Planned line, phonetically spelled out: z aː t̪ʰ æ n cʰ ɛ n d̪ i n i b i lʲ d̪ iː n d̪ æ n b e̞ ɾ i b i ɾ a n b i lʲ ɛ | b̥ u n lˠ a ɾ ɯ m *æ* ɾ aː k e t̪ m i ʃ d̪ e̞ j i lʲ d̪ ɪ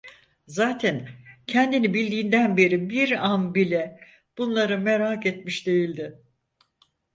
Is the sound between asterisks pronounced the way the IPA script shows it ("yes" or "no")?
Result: no